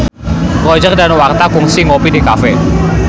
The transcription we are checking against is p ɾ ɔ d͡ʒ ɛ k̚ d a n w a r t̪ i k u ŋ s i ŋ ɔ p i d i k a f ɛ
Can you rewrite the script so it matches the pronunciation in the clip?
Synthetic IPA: p ɾ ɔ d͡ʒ ɛ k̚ d a n w a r t̪ a k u ŋ s i ŋ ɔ p i d i k a f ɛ